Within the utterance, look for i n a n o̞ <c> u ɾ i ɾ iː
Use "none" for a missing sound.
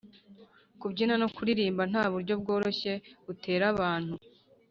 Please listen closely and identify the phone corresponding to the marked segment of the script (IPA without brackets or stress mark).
k